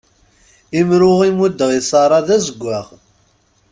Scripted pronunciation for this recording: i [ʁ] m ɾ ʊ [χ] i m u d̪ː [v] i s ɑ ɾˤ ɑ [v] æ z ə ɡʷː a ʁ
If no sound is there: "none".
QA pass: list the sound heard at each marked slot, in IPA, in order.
none, ʁ, ʁ, ð

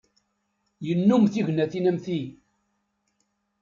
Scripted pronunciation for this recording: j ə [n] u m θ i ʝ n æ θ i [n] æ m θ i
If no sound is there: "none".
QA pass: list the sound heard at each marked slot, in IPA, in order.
nː, n

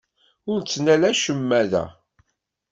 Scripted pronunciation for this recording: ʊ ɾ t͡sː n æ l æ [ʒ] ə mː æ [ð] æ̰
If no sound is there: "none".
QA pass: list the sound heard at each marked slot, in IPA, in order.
ʃ, ð

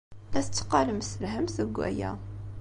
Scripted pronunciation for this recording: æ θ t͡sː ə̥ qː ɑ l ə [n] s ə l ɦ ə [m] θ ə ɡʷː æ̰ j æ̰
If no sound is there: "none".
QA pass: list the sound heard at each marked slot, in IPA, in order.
m, m

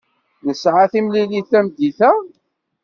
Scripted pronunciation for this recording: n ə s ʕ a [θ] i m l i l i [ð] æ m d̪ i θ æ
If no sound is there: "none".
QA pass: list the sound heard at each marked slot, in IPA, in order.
θ, θ

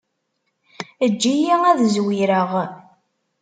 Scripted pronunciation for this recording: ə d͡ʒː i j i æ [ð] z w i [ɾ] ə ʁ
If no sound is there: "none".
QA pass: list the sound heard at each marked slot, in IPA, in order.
ð, ɾ

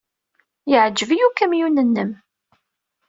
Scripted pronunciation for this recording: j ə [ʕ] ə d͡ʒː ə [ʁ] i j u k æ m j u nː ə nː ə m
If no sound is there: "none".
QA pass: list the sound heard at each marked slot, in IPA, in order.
ʕ, v

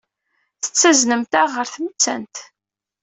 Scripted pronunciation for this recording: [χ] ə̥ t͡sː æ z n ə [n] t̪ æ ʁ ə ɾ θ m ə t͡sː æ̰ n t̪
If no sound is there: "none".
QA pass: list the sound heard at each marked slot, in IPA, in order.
θ, m

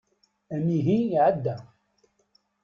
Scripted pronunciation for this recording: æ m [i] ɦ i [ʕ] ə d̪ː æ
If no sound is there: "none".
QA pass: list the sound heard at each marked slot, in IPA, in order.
i, ʕ

